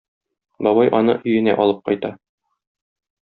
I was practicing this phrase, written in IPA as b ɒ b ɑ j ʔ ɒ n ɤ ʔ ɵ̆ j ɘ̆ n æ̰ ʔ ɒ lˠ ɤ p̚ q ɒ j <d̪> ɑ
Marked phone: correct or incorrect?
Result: incorrect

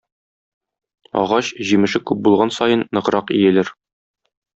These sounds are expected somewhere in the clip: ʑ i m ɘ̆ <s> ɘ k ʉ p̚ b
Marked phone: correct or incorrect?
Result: incorrect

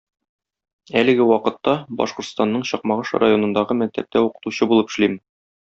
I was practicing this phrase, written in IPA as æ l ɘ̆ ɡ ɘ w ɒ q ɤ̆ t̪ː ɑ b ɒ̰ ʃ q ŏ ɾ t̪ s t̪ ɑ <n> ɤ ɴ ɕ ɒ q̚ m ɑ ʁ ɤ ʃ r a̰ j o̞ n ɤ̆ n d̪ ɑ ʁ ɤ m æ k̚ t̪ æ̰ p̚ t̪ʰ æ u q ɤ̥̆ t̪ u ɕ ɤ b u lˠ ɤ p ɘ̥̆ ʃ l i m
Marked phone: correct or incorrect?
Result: incorrect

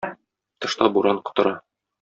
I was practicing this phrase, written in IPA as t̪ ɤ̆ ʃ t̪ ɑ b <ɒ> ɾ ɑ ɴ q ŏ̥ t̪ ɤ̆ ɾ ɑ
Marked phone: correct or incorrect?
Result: incorrect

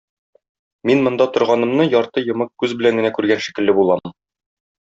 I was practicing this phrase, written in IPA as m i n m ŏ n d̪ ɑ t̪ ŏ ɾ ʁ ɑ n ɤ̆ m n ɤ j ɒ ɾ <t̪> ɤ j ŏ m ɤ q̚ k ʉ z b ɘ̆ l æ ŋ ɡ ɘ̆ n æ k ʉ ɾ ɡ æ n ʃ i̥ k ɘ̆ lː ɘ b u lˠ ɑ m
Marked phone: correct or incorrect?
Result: correct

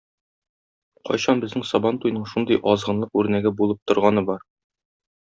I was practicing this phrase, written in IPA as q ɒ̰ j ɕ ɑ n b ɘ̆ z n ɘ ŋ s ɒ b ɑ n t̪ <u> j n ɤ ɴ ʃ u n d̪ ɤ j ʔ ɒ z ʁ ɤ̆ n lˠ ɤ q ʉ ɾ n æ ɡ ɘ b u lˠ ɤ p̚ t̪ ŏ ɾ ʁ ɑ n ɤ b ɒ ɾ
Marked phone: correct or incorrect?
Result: correct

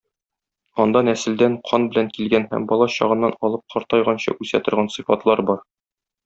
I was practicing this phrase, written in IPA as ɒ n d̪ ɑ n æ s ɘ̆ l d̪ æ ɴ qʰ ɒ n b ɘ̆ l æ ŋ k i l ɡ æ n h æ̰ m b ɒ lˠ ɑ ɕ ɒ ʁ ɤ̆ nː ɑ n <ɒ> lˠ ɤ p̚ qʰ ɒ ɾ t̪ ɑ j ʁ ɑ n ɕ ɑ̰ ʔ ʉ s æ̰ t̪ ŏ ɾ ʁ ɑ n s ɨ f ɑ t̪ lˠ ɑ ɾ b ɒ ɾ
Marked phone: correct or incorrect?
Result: correct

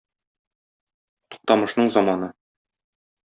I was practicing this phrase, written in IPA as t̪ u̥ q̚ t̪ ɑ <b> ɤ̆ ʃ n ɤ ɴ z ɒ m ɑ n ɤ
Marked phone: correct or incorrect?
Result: incorrect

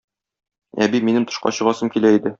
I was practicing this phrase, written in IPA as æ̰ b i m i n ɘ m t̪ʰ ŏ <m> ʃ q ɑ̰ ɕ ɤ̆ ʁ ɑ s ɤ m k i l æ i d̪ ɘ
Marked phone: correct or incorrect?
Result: incorrect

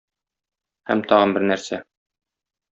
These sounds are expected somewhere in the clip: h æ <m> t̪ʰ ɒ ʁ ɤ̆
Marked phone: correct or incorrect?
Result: correct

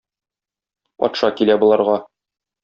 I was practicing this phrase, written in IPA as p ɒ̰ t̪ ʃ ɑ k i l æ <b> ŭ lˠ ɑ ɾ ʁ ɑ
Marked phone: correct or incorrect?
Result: correct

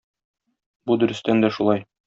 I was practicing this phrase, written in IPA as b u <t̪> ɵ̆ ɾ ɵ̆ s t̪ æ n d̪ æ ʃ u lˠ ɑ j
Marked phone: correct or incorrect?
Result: incorrect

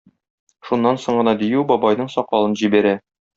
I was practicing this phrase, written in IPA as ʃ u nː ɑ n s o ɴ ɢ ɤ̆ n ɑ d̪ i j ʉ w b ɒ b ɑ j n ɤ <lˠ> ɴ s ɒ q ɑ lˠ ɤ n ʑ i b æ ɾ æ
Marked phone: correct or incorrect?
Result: incorrect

